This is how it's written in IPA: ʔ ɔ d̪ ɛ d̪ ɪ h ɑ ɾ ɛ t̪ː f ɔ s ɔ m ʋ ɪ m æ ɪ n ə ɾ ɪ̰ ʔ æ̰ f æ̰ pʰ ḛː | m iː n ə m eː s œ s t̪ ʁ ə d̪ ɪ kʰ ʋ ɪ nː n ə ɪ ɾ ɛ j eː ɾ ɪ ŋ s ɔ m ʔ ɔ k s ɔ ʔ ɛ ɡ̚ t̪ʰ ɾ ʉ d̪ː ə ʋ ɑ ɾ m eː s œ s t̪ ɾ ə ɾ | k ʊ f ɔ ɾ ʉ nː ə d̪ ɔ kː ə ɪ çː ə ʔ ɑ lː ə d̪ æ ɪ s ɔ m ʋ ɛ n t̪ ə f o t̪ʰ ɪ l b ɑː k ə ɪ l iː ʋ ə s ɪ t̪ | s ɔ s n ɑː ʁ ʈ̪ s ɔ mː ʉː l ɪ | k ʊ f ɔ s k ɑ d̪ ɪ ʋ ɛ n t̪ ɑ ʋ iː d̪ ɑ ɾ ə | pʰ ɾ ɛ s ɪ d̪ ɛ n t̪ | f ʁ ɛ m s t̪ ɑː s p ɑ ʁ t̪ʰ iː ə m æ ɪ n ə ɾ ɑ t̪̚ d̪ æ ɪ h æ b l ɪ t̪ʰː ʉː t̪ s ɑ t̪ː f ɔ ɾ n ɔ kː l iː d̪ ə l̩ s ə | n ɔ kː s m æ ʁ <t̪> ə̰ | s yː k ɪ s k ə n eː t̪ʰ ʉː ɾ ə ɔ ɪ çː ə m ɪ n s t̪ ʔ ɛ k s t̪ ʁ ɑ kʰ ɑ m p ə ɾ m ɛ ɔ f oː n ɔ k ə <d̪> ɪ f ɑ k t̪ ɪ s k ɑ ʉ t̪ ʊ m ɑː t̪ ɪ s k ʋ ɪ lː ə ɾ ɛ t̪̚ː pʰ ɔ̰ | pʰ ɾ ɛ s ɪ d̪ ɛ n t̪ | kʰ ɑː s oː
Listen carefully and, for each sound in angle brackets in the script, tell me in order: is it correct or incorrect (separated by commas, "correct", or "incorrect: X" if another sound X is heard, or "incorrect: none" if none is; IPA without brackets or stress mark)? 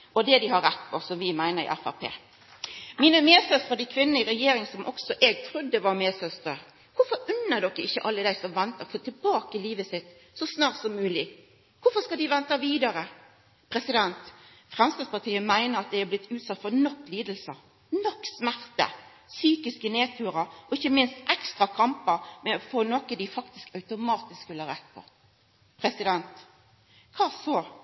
correct, correct